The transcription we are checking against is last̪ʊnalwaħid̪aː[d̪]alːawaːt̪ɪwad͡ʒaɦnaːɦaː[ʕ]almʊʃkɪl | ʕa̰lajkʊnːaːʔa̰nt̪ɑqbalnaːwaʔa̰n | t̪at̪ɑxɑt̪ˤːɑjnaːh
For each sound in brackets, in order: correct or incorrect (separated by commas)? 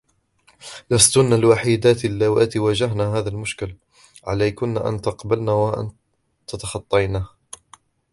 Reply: incorrect, incorrect